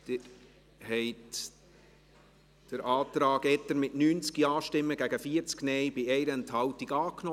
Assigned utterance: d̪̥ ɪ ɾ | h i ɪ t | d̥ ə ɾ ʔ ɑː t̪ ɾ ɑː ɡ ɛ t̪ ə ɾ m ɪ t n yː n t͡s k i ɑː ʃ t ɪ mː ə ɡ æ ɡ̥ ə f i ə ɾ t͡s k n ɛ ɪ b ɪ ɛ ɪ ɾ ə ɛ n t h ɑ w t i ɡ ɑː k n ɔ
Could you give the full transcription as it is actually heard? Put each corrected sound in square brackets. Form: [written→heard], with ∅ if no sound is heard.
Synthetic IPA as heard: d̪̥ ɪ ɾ | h [i→ɛ] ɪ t | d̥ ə ɾ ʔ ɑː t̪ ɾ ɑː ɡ ɛ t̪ ə ɾ m ɪ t n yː n t͡s k i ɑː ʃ t ɪ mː ə ɡ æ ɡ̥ ə f i ə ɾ t͡s k n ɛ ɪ b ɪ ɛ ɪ ɾ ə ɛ n t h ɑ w t i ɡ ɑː k n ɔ